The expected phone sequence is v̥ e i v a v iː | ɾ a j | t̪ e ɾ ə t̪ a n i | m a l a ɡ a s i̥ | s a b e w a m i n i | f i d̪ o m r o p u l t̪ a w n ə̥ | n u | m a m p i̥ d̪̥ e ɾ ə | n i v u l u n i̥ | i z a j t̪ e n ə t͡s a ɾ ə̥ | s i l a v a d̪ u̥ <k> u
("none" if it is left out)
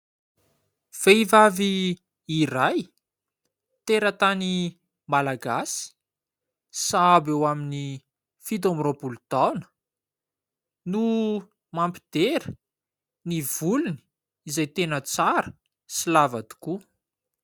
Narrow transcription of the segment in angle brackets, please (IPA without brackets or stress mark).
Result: k